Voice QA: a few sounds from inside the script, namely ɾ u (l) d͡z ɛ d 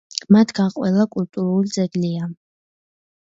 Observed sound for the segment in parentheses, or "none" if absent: l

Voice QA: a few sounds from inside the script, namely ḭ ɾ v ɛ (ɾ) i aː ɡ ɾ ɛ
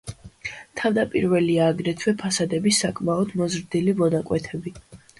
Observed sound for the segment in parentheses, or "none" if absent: l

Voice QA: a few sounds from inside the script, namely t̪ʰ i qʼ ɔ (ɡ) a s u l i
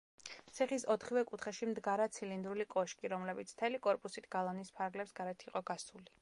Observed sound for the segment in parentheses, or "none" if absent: ɡ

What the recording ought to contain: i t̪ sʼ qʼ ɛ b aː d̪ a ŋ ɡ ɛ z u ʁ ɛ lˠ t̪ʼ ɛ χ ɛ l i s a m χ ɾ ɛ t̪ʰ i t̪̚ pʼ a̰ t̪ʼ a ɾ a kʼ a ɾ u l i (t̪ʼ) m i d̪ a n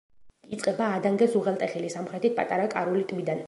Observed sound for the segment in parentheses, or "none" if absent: t̪ʼ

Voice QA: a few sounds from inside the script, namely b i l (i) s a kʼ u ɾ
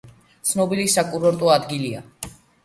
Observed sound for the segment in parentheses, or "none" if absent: i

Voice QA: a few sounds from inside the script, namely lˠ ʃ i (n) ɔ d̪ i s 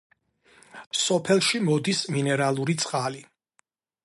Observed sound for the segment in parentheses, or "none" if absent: m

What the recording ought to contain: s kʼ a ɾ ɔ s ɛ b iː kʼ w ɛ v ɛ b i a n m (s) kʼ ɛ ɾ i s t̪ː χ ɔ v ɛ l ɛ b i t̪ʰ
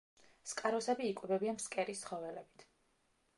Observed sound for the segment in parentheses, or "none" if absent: s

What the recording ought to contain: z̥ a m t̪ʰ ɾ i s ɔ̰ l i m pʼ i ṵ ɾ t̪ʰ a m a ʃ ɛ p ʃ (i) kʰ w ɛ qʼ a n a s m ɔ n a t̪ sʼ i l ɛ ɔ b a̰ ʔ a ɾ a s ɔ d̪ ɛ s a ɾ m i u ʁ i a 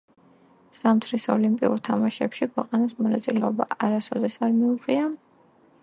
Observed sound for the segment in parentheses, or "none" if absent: i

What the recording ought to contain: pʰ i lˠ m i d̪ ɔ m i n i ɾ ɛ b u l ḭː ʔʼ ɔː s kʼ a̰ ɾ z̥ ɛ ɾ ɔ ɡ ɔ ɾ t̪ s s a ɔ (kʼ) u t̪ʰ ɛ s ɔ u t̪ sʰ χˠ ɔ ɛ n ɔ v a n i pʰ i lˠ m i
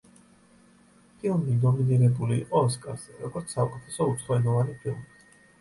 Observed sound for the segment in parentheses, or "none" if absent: kʼ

